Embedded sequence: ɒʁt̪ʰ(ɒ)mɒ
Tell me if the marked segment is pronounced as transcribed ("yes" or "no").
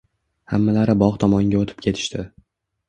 yes